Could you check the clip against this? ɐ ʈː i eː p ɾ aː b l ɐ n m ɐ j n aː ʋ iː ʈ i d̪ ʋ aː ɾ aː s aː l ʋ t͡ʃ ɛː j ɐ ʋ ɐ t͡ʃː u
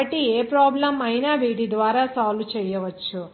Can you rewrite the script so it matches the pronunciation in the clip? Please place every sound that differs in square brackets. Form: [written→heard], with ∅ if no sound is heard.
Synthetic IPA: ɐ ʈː i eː p ɾ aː b l ɐ [n→∅] m ɐ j n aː ʋ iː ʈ i d̪ ʋ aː ɾ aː s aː l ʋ t͡ʃ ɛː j ɐ ʋ ɐ t͡ʃː u